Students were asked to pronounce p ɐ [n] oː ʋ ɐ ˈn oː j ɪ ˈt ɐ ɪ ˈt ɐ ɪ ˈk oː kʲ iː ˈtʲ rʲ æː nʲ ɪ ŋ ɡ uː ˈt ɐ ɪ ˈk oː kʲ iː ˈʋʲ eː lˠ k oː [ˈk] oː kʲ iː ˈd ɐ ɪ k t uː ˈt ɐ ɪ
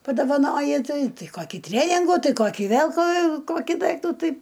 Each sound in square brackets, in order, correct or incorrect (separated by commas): incorrect, correct